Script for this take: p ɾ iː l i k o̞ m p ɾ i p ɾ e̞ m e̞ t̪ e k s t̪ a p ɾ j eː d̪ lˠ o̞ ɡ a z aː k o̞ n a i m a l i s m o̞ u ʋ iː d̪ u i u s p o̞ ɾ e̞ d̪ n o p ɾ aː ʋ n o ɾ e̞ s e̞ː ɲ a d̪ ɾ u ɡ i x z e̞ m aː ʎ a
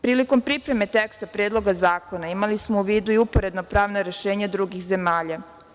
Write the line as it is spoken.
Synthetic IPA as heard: p ɾ iː l i k o̞ m p ɾ i p ɾ e̞ m e̞ t̪ e k s t̪ a p ɾ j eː d̪ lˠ o̞ ɡ a z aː k o̞ n a i m a l i s m o̞ u ʋ iː d̪ u i u p o̞ ɾ e̞ d̪ n o p ɾ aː ʋ n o ɾ e̞ ʃ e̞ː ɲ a d̪ ɾ u ɡ i x z e̞ m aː ʎ a